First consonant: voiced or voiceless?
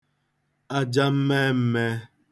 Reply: voiced